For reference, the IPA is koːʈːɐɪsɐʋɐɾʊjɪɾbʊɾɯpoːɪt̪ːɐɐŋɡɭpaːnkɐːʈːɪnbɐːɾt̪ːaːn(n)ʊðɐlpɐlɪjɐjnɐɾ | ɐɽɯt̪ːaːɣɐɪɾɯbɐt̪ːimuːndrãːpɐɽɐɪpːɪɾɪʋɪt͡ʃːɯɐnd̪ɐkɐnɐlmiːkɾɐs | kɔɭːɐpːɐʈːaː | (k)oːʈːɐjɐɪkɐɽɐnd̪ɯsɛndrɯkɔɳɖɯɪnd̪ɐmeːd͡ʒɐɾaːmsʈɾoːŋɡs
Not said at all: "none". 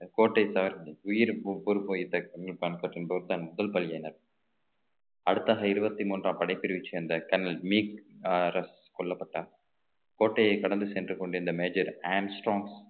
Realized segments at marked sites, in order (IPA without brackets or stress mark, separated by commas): m, k